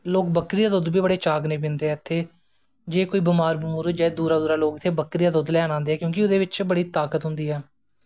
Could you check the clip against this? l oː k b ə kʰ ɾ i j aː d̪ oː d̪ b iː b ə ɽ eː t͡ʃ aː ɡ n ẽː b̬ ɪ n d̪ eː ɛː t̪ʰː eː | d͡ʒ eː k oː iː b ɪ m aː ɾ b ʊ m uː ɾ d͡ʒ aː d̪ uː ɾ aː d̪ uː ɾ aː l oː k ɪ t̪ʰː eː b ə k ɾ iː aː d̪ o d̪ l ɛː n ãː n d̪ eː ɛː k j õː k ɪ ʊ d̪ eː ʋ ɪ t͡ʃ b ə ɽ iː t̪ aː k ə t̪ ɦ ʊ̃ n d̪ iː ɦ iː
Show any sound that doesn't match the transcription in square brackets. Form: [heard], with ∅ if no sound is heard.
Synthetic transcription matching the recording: l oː k b ə [k] ɾ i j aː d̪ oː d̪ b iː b ə ɽ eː t͡ʃ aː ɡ n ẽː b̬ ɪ n d̪ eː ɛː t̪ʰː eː | d͡ʒ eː k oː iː b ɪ m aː ɾ b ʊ m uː ɾ d͡ʒ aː d̪ uː ɾ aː d̪ uː ɾ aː l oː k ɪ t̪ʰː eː b ə k ɾ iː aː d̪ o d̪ l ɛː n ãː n d̪ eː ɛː k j õː k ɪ ʊ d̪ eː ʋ ɪ t͡ʃ b ə ɽ iː t̪ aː k ə t̪ ɦ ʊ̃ n d̪ iː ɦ [ɛː]